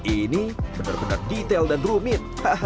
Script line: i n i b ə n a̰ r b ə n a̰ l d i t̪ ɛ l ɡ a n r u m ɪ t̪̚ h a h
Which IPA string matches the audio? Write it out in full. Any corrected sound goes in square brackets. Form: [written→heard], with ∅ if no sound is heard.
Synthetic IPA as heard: i n i b ə n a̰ r b ə n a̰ [l→r] d i t̪ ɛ l [ɡ→d] a n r u m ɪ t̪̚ h a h